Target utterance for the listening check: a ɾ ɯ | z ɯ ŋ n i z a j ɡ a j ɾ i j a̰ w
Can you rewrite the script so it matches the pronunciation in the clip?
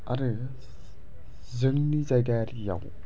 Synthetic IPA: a ɾ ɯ | z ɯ ŋ n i z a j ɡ a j ɾ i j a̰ w